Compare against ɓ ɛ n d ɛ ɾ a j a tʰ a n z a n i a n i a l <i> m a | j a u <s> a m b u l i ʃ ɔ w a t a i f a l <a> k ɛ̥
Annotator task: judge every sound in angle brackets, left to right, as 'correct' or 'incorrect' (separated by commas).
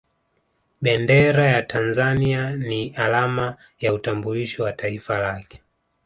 incorrect, incorrect, correct